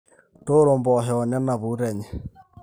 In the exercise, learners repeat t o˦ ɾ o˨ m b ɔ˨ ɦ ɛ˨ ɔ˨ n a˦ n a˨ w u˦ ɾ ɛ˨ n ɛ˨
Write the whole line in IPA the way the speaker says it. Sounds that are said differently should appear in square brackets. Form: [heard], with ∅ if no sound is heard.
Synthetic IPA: t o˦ ɾ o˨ m b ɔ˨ ɦ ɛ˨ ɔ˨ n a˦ n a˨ [β] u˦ ɾ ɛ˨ [ɲ] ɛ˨